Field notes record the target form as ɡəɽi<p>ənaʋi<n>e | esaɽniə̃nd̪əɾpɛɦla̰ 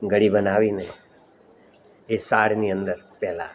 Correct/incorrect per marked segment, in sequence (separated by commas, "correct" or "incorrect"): incorrect, correct